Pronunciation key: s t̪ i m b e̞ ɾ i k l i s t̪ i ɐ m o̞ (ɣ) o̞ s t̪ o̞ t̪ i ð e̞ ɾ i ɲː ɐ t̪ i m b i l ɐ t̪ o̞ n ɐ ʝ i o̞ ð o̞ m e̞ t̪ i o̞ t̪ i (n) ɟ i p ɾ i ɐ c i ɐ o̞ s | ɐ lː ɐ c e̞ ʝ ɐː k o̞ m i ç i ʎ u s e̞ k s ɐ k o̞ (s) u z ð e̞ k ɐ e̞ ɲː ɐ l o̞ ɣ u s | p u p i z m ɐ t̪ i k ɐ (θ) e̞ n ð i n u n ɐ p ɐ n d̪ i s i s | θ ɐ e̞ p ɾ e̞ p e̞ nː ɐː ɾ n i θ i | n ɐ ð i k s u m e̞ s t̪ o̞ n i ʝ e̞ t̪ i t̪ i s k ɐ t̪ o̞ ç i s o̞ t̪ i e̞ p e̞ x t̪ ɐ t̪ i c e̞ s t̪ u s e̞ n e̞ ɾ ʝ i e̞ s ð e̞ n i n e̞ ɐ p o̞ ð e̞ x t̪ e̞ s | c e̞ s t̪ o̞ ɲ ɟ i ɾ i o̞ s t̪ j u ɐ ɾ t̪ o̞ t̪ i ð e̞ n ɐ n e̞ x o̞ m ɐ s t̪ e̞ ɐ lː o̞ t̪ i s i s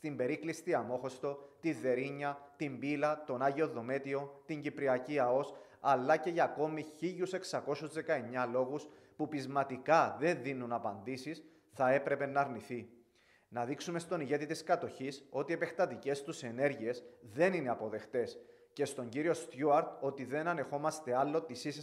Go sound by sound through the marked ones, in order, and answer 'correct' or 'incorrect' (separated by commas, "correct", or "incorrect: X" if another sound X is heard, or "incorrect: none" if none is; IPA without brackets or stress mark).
incorrect: x, incorrect: ɲ, correct, incorrect: ð